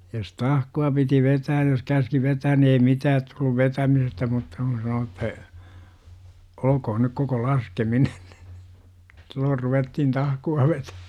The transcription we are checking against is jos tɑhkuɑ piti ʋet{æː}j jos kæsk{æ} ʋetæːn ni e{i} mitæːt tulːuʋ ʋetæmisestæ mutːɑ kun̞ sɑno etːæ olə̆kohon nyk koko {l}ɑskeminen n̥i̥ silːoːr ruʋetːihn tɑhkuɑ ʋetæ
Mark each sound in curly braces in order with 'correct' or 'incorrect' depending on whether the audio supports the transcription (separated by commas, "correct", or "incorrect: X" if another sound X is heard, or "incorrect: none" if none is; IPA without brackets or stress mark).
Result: correct, incorrect: i, correct, correct